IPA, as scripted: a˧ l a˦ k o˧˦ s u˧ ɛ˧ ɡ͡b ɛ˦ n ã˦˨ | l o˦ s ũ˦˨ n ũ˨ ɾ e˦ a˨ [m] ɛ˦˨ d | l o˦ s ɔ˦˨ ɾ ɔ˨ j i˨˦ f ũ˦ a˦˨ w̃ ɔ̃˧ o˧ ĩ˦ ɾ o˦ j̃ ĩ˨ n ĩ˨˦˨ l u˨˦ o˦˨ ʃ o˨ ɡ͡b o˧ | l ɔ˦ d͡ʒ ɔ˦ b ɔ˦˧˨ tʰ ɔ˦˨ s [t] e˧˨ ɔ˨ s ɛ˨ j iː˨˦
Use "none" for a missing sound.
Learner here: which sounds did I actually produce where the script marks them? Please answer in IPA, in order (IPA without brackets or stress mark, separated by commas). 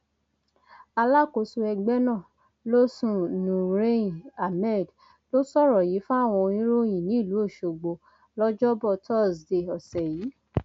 m, d